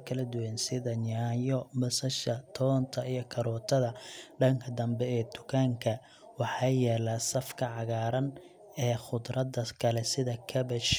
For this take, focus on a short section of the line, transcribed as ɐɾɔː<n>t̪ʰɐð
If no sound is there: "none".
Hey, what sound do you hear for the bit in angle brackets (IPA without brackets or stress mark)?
none